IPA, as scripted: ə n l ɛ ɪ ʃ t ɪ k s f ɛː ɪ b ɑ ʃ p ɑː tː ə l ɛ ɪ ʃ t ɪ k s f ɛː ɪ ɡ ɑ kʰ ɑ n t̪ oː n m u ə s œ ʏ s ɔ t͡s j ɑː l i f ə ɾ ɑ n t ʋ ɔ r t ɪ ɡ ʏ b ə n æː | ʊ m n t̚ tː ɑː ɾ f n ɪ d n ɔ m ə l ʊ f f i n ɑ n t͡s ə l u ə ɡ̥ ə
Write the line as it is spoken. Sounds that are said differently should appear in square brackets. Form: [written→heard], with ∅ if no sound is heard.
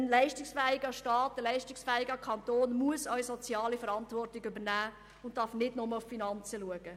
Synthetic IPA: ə n l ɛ ɪ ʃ t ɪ k s f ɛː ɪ [b→ɡ] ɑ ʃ [p→t] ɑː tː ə l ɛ ɪ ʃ t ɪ k s f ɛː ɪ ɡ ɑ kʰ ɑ n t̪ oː n m u ə s œ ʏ s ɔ t͡s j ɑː l i f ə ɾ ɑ n t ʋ ɔ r t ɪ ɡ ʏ b ə n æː | ʊ [m→∅] n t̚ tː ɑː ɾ f n ɪ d n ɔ m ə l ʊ f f i n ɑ n t͡s ə l u ə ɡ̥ ə